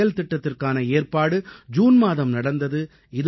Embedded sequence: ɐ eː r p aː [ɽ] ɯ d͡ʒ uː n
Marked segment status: correct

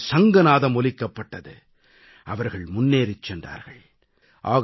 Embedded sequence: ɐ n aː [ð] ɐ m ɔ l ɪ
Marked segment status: correct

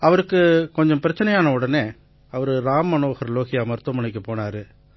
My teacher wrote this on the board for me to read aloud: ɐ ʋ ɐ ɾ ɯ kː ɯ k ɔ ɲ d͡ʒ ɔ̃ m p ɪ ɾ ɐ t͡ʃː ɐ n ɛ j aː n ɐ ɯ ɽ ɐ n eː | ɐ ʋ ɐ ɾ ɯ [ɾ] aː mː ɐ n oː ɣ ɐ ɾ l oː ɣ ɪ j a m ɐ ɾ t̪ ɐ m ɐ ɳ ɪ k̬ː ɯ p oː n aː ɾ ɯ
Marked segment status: correct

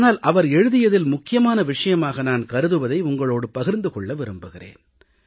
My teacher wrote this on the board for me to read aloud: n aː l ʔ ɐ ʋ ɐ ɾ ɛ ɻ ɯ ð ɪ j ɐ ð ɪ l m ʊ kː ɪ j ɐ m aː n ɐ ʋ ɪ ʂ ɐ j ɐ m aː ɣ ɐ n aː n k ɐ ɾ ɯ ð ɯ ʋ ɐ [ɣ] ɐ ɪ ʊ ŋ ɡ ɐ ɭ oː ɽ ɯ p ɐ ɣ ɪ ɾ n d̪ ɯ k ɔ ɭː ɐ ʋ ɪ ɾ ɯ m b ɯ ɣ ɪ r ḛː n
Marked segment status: incorrect: ð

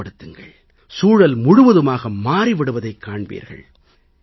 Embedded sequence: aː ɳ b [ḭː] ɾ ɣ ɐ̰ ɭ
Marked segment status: correct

